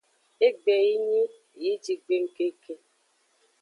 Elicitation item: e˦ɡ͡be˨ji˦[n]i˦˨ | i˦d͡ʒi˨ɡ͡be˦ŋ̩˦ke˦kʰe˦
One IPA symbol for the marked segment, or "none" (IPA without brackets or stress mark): ɲ